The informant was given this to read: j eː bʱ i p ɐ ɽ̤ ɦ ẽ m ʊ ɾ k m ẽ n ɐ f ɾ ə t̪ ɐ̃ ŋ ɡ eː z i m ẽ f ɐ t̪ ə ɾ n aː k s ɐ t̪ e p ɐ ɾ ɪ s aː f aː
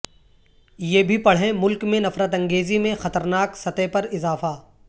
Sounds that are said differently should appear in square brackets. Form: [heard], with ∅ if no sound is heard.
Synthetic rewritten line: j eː bʱ i p ɐ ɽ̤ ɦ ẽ m ʊ [l] k m ẽ n ɐ f ɾ ə t̪ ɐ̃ ŋ ɡ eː z i m ẽ [x] ɐ t̪ ə ɾ n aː k s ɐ t̪ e p ɐ ɾ ɪ [z] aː f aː

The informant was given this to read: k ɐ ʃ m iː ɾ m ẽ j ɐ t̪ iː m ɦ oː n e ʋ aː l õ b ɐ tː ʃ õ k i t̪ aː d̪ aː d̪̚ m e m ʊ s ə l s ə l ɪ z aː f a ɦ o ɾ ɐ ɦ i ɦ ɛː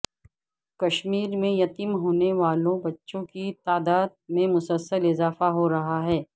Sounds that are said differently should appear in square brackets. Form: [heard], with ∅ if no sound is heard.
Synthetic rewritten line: k ɐ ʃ m iː ɾ m ẽ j ɐ t̪ iː m ɦ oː n e ʋ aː l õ b ɐ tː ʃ õ k i t̪ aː d̪ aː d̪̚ m [ẽ] m ʊ s ə l s ə l ɪ z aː f a ɦ o ɾ ɐ ɦ [a] ɦ ɛː

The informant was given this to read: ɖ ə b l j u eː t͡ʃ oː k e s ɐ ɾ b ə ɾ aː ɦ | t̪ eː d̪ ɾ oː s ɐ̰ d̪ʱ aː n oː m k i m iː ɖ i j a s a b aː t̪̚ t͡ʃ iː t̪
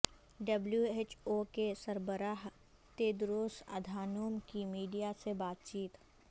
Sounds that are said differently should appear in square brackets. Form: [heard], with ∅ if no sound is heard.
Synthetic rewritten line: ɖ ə b l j u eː t͡ʃ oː k e s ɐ ɾ b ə ɾ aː ɦ | t̪ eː d̪ ɾ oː s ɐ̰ d̪ʱ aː n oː m k i m iː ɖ i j a s [e] b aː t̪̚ t͡ʃ iː t̪

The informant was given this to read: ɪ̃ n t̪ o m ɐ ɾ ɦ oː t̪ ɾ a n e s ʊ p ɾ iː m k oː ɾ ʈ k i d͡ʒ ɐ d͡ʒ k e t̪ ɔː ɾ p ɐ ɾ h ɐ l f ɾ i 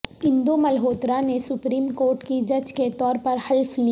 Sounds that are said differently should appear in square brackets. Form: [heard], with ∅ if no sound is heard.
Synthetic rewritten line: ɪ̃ n [d̪] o m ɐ [l] ɦ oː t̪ ɾ a n e s ʊ p ɾ iː m k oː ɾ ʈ k i d͡ʒ ɐ d͡ʒ k e t̪ ɔː ɾ p ɐ ɾ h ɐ l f [l] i

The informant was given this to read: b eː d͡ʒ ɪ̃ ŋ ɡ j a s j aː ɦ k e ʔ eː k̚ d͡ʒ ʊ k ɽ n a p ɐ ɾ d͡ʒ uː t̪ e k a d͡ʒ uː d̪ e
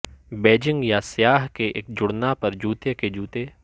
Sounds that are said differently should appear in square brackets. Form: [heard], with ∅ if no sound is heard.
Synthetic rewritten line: b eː d͡ʒ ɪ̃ ŋ ɡ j a s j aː ɦ k e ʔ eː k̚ d͡ʒ ʊ [∅] ɽ n a p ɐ ɾ d͡ʒ uː t̪ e k [e] d͡ʒ uː [t̪] e

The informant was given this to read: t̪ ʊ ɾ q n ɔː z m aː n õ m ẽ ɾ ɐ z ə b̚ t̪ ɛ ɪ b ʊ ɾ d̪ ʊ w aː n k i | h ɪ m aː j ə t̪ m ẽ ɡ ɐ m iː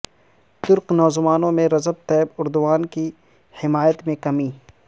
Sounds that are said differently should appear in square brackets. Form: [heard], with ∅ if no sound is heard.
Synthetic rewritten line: t̪ ʊ ɾ q n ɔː z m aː n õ m ẽ ɾ ɐ z ə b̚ t̪ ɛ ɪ b ʊ ɾ d̪ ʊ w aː n k i | h ɪ m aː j ə t̪ m ẽ [k] ɐ m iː

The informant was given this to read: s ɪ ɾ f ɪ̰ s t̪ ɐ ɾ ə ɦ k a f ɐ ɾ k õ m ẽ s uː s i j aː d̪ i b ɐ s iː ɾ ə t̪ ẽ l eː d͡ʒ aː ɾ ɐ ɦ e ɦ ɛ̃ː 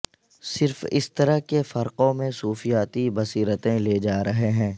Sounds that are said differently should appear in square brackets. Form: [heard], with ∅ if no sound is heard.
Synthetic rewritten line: s ɪ ɾ f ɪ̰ s t̪ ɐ ɾ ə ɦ k [e] f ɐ ɾ [q] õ m ẽ s uː [f] i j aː [t̪] i b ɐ s iː ɾ ə t̪ ẽ l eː d͡ʒ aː ɾ ɐ ɦ e ɦ ɛ̃ː

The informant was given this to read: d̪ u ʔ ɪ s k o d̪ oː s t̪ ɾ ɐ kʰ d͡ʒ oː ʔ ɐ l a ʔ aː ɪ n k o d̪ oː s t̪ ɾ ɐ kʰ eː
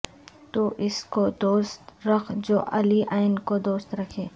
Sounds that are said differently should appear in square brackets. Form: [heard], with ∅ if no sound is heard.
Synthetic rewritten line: [t̪] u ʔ ɪ s k o d̪ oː s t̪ ɾ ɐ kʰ d͡ʒ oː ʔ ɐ l [i] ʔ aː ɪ n k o d̪ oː s t̪ ɾ ɐ kʰ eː

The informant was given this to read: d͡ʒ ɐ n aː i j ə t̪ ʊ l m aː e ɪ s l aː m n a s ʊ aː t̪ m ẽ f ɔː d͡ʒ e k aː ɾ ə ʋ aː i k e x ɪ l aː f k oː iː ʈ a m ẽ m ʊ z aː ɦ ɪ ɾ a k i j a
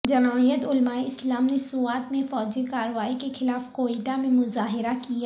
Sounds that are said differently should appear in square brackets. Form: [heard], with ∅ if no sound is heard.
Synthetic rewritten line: d͡ʒ ɐ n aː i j ə t̪ ʊ l m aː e ɪ s l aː m n [e] s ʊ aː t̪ m ẽ f ɔː d͡ʒ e k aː ɾ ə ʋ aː i k e x ɪ l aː f k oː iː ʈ a m ẽ m ʊ z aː ɦ ɪ ɾ a k i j a

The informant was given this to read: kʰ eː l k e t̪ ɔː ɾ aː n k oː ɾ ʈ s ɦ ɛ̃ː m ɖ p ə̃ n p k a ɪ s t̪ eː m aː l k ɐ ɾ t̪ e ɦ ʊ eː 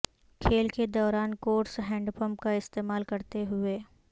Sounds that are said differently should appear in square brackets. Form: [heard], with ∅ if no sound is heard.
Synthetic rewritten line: kʰ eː l k e [d̪] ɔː ɾ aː n k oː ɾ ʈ s ɦ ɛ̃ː [ɳ] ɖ p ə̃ [m] p k a ɪ s t̪ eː m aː l k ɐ ɾ t̪ e ɦ ʊ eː

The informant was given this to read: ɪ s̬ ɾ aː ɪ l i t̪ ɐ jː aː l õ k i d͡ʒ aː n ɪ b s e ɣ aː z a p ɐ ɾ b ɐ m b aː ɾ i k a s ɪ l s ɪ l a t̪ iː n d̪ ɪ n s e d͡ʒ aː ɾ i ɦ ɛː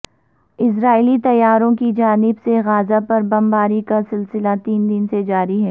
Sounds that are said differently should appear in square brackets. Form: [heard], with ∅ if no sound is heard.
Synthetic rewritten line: ɪ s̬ ɾ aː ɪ l i t̪ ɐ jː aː [ɾ] õ k i d͡ʒ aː n ɪ b s e ɣ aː z a p ɐ ɾ b ɐ m b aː ɾ i k a s ɪ l s ɪ l a t̪ iː n d̪ ɪ n s e d͡ʒ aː ɾ i ɦ ɛː

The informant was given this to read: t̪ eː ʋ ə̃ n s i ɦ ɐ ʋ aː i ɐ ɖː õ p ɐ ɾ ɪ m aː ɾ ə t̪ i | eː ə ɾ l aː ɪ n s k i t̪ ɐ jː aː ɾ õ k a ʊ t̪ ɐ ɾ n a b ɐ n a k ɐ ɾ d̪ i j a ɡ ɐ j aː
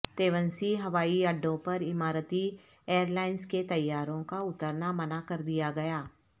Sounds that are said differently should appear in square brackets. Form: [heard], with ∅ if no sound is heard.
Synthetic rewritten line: t̪ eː ʋ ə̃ n s i ɦ ɐ ʋ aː i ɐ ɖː õ p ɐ ɾ ɪ m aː ɾ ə t̪ i | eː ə ɾ l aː ɪ n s k [e] t̪ ɐ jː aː ɾ õ k a ʊ t̪ [ə] ɾ n a [m] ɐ n a k ɐ ɾ d̪ i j a ɡ ɐ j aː

